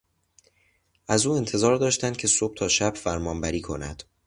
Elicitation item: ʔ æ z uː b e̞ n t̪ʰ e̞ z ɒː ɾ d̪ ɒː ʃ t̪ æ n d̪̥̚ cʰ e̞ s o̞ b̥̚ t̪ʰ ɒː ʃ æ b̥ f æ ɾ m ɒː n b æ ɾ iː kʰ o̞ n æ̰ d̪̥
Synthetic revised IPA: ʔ æ z uː e̞ n t̪ʰ e̞ z ɒː ɾ d̪ ɒː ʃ t̪ æ n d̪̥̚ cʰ e̞ s o̞ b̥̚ t̪ʰ ɒː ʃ æ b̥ f æ ɾ m ɒː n b æ ɾ iː kʰ o̞ n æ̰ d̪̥